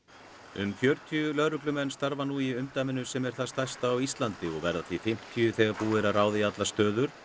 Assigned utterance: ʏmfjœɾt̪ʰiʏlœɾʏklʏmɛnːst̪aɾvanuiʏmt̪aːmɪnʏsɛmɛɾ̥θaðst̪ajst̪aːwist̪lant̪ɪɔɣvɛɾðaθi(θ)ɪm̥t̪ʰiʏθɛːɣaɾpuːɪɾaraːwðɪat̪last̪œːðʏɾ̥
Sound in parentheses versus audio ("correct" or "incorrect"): incorrect